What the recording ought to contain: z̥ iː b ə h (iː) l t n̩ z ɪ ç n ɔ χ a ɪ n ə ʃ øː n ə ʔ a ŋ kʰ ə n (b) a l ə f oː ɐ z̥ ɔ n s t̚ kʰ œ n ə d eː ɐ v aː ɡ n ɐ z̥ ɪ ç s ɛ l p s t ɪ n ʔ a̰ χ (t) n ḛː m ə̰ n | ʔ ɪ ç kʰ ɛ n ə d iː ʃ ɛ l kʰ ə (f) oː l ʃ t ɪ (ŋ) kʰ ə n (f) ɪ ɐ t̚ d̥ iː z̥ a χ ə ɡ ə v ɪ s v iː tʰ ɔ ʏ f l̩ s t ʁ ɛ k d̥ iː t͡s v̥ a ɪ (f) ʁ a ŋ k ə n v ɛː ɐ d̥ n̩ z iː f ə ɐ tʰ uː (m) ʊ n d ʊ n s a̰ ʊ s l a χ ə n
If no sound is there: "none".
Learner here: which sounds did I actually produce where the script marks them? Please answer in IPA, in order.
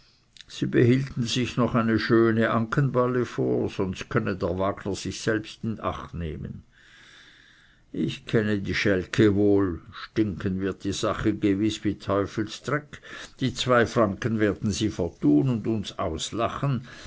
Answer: iː, b, t, v, ŋ, v, f, n

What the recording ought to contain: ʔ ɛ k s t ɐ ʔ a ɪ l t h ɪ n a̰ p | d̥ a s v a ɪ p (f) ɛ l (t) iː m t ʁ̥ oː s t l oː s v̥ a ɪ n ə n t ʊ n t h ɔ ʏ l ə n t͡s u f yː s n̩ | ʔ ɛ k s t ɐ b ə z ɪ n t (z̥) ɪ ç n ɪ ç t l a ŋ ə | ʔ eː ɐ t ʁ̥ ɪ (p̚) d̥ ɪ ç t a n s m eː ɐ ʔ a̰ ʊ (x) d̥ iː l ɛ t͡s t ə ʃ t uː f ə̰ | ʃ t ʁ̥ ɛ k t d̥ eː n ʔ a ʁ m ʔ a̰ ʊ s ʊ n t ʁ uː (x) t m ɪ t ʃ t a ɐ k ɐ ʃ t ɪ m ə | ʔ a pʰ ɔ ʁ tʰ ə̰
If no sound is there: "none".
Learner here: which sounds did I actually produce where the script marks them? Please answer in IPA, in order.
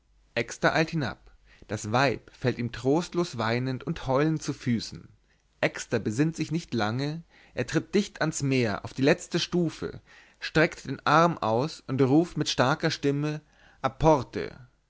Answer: f, t, z̥, t̚, f, f

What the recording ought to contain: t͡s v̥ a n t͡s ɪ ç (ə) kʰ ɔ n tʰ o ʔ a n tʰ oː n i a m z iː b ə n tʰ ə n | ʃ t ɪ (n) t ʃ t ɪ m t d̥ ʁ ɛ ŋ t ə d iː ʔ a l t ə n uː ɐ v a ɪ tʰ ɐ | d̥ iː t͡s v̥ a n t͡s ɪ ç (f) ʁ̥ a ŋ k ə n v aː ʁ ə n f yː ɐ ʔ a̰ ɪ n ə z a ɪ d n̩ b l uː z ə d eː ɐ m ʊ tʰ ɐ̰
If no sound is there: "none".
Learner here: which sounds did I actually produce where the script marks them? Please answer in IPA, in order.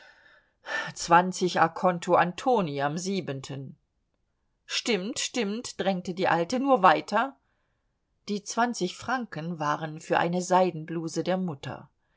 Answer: a, m, f

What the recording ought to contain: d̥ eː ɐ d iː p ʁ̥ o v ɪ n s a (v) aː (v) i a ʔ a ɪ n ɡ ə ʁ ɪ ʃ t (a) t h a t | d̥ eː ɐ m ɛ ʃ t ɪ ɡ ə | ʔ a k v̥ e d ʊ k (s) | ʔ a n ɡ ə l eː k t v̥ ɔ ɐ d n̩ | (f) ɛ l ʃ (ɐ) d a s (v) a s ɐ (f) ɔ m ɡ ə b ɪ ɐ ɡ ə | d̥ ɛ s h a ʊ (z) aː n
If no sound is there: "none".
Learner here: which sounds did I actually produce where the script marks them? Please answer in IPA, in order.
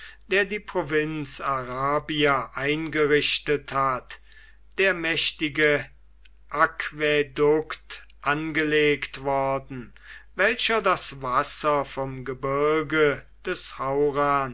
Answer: ʁ, b, ə, t, v, ɐ, v, f, ʁ

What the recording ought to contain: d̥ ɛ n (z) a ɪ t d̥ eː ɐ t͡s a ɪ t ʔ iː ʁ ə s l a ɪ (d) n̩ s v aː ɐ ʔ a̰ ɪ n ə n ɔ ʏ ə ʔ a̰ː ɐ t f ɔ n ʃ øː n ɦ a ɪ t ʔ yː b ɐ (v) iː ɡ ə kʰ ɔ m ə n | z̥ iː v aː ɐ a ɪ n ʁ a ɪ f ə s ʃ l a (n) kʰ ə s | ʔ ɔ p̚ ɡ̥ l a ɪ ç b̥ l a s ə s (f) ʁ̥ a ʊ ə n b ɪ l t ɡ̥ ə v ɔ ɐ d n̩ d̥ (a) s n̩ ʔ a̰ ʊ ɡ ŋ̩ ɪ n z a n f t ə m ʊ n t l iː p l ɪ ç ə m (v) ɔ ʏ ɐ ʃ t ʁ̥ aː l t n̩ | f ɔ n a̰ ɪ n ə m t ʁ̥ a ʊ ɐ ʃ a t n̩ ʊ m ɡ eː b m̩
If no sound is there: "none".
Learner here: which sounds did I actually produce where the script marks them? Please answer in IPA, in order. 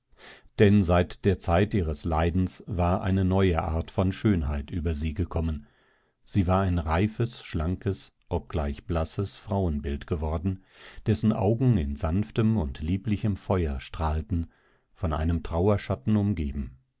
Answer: z, d, z, ŋ, f, ɛ, f

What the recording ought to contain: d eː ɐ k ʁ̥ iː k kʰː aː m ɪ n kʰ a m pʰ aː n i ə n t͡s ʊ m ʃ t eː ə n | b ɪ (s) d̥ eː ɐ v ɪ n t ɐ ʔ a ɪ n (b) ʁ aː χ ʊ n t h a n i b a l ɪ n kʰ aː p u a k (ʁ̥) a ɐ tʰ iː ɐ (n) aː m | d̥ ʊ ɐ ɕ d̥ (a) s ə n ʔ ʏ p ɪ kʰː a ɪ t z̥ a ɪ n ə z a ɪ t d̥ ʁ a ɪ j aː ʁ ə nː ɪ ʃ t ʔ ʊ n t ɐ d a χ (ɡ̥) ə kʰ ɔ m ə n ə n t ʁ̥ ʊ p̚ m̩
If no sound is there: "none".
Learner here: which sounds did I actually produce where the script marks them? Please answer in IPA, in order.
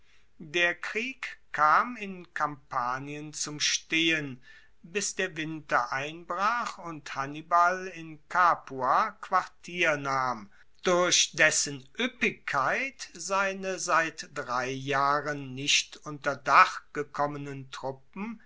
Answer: s, b, v̥, n, ɛ, ɡ̥

